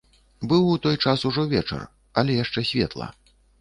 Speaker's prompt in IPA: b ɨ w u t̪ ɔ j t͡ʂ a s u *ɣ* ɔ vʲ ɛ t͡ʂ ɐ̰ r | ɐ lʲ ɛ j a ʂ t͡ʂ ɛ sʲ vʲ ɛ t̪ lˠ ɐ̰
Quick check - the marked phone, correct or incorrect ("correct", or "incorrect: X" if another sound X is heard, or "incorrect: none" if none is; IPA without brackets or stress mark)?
incorrect: ʐ